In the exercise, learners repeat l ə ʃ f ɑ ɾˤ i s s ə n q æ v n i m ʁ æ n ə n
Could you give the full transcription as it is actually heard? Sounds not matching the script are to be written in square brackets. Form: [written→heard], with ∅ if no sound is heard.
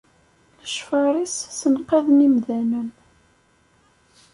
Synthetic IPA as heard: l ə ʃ f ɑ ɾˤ i s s ə n q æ [v→ð] n i m [ʁ→ð] æ n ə n

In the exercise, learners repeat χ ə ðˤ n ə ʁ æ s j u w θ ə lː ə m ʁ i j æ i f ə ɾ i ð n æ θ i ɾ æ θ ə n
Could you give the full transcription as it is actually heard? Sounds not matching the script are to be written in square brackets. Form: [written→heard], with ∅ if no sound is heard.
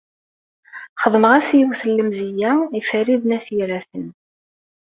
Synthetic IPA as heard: χ ə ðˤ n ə ʁ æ s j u w θ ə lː ə m [ʁ→z] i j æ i f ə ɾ i ð n æ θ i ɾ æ θ ə n

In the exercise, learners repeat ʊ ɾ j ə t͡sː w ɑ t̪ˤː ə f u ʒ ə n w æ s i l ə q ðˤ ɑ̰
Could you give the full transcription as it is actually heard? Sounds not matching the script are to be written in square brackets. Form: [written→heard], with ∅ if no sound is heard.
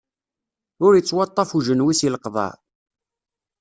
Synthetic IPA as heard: ʊ ɾ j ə t͡sː w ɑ t̪ˤː [ə→ɑ] f u ʒ ə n w [æ→i] s i l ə q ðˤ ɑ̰

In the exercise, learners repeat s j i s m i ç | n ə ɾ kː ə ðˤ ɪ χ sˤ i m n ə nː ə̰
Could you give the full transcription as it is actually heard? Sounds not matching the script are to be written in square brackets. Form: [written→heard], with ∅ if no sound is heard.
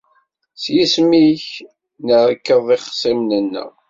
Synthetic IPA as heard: s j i s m i ç | n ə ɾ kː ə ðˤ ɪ χ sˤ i m n ə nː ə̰

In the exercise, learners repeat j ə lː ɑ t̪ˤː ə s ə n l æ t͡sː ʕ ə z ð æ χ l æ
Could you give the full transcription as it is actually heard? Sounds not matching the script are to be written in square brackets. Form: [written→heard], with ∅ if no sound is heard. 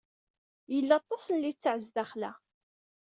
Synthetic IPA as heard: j ə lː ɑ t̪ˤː [ə→ɑ] s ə n l [æ→i] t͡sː ʕ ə z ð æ χ l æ

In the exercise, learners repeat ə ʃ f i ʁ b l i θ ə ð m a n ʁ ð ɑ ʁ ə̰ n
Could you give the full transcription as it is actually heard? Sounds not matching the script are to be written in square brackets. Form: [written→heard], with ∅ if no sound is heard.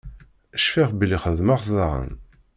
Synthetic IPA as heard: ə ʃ f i ʁ b l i [θ→χ] ə ð m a [n→∅] ʁ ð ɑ ʁ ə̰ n

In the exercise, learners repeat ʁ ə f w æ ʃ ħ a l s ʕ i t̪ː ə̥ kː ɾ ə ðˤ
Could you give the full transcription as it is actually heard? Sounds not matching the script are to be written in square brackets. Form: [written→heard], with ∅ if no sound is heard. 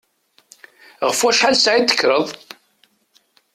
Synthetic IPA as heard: ʁ ə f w æ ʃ ħ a l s ʕ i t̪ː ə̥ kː ɾ ə ðˤ

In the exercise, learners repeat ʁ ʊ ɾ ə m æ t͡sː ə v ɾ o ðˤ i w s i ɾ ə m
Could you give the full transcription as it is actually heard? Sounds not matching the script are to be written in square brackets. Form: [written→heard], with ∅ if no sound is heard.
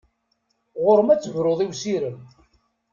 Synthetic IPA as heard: ʁ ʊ ɾ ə m æ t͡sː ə v ɾ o ðˤ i w s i ɾ ə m

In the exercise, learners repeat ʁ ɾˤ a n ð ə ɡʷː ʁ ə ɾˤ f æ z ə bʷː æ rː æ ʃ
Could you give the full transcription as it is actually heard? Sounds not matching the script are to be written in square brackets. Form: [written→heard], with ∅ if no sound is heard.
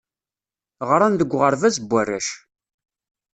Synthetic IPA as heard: ʁ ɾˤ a n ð ə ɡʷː ʁ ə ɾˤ [f→v] æ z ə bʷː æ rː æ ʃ

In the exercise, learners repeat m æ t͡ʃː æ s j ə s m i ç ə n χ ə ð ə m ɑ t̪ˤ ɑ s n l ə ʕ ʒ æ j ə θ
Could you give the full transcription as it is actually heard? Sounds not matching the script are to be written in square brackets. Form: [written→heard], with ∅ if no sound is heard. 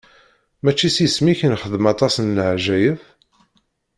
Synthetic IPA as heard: m æ t͡ʃː [æ→i] s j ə s m i ç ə n χ ə ð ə m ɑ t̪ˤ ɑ s n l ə ʕ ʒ æ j ə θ

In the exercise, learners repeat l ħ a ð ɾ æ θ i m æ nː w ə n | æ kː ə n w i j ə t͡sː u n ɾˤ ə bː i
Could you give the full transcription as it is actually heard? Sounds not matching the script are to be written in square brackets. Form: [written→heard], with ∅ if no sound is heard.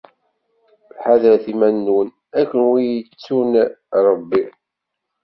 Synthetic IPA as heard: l ħ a ð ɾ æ θ i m æ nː w ə n | æ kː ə n w i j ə t͡sː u n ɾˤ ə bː i

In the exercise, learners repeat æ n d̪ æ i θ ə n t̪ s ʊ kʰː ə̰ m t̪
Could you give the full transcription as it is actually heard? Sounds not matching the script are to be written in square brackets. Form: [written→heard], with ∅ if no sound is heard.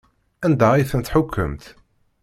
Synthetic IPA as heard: æ n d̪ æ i θ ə n t̪ [s→ħ] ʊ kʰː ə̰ m t̪

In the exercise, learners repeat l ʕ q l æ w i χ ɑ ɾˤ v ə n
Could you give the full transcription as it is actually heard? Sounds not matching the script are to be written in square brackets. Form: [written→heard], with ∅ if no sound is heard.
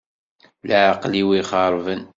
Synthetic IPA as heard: l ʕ q l [æ→i] w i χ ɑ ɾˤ v ə n

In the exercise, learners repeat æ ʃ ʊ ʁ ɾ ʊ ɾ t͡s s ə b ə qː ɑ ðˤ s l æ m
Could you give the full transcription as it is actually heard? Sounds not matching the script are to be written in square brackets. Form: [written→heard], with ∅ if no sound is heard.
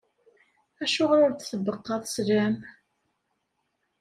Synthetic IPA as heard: æ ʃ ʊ ʁ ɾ ʊ ɾ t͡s [s→θ] ə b ə qː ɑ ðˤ s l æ m

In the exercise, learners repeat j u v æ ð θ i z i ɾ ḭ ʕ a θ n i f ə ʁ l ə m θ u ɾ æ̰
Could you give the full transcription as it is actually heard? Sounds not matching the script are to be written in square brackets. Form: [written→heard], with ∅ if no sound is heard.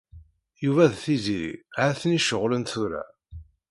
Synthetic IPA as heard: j u v æ ð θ i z i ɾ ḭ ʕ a θ n i [f→ʃ] ə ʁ l ə [m→n] θ u ɾ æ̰

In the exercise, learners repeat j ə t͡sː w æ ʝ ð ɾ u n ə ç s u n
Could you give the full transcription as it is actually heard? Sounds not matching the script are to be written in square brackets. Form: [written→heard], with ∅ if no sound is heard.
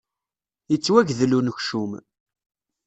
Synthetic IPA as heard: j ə t͡sː w æ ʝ ð [ɾ→l] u n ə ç [s→ʃ] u [n→m]

